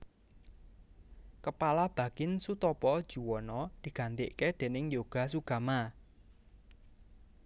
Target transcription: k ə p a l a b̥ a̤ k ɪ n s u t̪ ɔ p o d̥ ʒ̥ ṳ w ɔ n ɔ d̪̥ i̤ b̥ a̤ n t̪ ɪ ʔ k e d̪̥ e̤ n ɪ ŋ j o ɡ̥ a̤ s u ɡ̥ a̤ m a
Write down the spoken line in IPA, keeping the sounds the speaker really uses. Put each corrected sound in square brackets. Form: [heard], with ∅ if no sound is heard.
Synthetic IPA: k ə p a l a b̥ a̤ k ɪ n s u t̪ ɔ p [ɔ] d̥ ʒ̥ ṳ w ɔ n ɔ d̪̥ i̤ [ɡ̥] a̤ n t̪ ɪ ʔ k e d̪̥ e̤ n ɪ ŋ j o ɡ̥ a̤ s u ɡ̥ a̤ m a

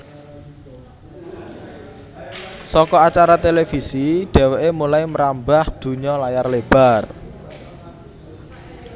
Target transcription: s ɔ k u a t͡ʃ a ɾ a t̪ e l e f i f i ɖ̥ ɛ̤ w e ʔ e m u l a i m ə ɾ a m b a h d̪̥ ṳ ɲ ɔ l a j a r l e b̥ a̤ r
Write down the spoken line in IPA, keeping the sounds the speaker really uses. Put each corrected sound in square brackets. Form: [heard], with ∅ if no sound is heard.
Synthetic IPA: s ɔ k [ɔ] a t͡ʃ a ɾ a t̪ e l e f i [s] i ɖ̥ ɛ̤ w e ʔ e m u l a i m ə ɾ a m b a h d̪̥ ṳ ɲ ɔ l a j a r l e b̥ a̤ r

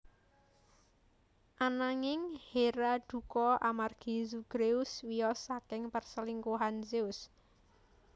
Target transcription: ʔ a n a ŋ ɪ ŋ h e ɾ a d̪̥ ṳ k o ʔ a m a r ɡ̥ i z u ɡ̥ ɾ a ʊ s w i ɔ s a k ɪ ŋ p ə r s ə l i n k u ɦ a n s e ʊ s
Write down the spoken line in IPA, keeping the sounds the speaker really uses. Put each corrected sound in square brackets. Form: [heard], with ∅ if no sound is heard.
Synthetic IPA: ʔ a n a ŋ ɪ ŋ h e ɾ a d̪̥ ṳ k [ɔ] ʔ a m a r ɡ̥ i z u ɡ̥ ɾ [e] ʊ s w i ɔ s a k ɪ ŋ p ə r s ə l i [ŋ] k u ɦ a n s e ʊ s

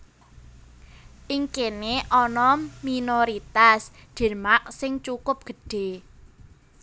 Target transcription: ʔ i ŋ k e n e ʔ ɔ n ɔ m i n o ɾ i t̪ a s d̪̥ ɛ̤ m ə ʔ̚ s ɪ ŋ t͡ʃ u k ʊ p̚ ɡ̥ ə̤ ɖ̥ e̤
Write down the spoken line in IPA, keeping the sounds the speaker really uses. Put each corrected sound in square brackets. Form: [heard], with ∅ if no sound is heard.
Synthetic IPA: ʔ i ŋ k e n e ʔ ɔ n ɔ m i n o ɾ i t̪ a s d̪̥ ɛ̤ m [a] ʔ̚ s ɪ ŋ t͡ʃ u k ʊ p̚ ɡ̥ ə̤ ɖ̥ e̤

